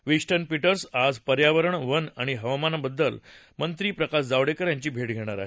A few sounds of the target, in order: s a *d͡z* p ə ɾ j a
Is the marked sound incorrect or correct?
correct